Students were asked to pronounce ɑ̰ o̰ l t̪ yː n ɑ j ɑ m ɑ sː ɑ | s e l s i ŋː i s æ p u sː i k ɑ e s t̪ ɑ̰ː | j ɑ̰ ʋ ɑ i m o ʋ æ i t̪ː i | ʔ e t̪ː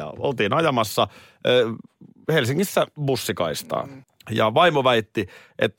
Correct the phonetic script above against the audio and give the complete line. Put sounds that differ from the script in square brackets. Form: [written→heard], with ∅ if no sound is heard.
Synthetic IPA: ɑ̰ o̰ l t̪ [yː→iː] n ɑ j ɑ m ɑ sː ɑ | [s→h] e l s i ŋː i [s→sː] æ [p→b] u sː i k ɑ [e→i] s t̪ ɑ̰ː | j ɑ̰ ʋ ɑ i m o ʋ æ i t̪ː i | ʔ e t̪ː